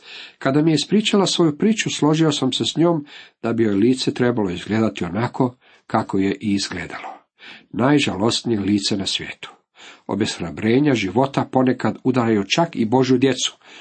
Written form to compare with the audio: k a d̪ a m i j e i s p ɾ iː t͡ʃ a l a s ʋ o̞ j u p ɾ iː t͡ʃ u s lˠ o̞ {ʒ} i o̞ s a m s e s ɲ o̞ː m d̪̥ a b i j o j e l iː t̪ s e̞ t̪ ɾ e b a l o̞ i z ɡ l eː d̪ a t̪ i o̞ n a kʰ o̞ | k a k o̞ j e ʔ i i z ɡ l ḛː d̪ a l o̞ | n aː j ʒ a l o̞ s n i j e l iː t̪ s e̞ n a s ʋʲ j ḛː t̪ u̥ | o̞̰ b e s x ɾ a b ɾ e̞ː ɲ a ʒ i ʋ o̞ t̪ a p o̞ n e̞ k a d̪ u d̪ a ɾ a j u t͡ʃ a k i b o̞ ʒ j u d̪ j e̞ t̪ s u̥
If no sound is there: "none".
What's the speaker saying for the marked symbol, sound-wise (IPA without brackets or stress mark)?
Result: ʒ